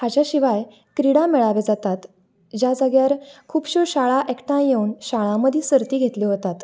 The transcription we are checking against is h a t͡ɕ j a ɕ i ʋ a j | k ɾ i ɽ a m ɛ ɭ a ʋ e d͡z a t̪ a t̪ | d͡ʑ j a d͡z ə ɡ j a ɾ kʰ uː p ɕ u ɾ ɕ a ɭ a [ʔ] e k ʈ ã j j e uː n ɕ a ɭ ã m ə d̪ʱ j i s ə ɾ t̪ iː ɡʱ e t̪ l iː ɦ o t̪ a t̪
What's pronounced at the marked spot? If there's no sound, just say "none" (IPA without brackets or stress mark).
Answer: ʔ